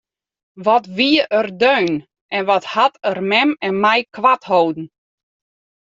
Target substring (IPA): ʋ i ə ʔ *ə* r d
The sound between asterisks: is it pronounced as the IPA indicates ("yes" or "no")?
yes